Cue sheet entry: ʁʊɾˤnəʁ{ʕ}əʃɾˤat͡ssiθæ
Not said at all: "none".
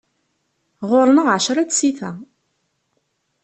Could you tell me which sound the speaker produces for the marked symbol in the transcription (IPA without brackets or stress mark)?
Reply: ʕ